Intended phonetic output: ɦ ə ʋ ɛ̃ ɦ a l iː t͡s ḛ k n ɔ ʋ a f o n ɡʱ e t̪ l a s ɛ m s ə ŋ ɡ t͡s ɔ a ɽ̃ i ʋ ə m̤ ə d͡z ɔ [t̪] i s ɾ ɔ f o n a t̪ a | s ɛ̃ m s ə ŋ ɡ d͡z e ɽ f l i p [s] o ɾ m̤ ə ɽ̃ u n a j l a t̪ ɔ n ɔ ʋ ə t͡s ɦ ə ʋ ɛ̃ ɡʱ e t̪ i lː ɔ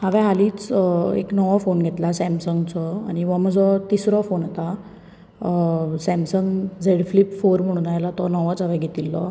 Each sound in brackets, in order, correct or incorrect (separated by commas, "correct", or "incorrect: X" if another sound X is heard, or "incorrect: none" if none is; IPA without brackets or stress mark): correct, incorrect: f